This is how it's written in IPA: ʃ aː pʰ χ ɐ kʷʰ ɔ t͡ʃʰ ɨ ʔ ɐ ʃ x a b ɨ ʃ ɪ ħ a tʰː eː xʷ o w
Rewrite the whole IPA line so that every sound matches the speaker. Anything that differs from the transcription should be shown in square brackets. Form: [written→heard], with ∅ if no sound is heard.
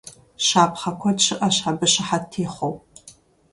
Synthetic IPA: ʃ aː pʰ χ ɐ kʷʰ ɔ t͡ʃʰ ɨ ʔ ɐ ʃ [x→ħ] a b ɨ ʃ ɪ ħ a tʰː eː [xʷ→χʷ] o w